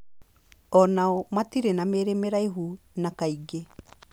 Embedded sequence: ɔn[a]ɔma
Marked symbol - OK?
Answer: yes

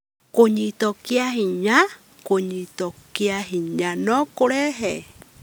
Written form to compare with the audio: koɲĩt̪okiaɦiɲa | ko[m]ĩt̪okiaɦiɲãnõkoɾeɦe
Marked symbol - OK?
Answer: no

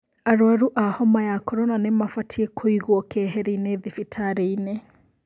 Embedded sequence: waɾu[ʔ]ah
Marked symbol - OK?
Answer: yes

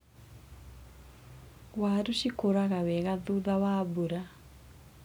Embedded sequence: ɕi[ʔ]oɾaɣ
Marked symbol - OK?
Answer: no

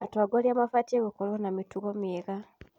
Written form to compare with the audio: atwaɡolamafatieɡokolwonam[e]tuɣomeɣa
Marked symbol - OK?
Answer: no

